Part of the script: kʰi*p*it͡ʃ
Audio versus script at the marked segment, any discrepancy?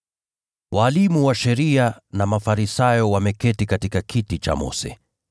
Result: yes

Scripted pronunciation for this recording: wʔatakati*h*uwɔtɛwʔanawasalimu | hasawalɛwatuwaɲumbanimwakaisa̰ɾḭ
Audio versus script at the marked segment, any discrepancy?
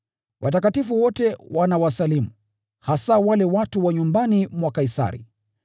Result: yes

